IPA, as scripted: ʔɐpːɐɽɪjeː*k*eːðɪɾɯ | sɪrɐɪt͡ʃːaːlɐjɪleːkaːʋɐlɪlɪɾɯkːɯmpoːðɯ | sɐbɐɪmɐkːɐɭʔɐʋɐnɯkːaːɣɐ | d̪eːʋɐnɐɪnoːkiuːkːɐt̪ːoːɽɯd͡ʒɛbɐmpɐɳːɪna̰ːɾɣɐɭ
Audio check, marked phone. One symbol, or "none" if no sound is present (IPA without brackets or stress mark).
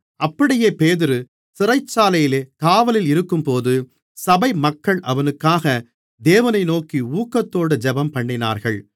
p